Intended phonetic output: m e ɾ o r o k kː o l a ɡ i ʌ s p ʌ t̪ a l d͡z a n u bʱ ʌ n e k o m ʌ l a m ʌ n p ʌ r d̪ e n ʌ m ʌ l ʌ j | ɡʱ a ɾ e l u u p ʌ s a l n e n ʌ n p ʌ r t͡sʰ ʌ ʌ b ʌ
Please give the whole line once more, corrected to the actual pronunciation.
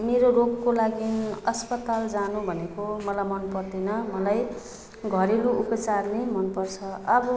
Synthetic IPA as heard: m e ɾ o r o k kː o l a ɡ i ʌ s p ʌ t̪ a l d͡z a n u bʱ ʌ n e k o m ʌ l a m ʌ n p ʌ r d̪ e n ʌ m ʌ l a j | ɡʱ ʌ ɾ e l u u p ʌ t͡s a r n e m ʌ n p ʌ r t͡sʰ ʌ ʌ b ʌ